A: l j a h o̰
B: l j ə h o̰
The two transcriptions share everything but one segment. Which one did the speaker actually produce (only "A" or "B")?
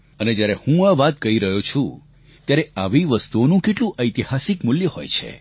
B